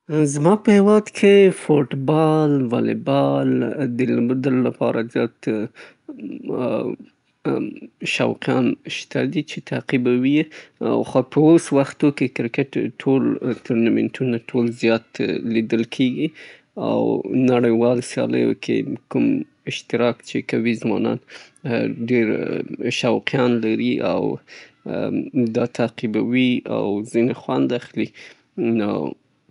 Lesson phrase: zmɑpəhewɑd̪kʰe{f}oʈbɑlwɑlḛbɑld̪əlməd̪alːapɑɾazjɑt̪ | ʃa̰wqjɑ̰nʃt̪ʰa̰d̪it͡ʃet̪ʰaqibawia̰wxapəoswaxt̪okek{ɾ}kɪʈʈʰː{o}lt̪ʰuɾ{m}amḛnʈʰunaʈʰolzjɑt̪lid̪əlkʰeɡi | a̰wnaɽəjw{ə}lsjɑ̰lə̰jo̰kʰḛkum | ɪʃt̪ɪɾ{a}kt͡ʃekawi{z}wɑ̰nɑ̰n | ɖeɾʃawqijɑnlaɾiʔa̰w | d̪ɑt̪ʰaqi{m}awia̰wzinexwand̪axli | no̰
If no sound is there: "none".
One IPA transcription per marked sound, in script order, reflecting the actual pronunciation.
f, ɾ, o, n, ɑ, ɑ, z, b

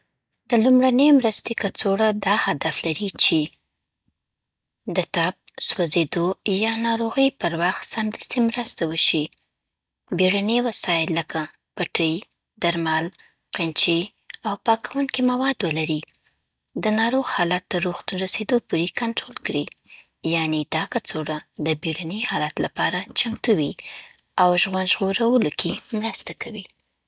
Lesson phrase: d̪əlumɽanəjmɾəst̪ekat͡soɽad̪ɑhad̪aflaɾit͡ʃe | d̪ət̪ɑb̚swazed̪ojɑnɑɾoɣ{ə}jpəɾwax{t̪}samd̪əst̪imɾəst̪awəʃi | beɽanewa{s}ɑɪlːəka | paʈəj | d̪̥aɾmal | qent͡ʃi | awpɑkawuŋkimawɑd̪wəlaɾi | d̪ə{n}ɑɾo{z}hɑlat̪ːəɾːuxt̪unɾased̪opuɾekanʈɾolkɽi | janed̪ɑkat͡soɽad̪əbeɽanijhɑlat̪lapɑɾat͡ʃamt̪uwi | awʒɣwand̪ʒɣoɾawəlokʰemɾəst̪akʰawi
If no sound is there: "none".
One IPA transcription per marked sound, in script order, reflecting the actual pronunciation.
ə, t̪, s, n, ɣ

